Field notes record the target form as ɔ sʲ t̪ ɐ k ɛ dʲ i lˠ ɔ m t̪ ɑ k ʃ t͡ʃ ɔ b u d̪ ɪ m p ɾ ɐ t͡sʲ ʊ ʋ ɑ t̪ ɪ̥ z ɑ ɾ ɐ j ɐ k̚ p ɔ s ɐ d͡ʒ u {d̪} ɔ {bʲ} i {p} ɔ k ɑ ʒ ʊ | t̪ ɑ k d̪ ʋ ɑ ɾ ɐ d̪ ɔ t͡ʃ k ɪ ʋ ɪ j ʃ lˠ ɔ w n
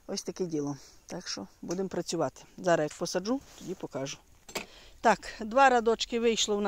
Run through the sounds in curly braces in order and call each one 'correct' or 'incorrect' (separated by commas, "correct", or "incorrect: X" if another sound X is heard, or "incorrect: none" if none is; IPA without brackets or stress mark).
incorrect: t̪, incorrect: dʲ, correct